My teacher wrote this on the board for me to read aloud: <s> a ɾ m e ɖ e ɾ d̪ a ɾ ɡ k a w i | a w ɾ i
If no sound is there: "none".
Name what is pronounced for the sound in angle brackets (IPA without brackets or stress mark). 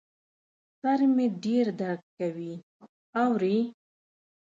s